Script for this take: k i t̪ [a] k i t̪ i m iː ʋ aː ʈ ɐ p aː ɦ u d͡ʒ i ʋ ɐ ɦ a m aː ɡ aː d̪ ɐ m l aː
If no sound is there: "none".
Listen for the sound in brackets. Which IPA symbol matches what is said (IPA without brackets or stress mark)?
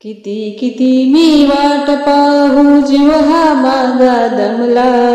i